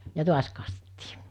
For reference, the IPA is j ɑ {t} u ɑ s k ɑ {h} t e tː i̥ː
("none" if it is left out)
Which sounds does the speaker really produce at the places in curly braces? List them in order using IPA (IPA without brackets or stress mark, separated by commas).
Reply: t, s